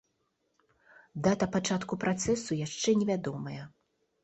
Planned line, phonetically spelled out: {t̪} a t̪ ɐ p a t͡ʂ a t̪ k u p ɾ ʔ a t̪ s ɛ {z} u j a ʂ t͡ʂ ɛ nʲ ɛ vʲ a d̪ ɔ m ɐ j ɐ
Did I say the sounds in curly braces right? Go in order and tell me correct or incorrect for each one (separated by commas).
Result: incorrect, incorrect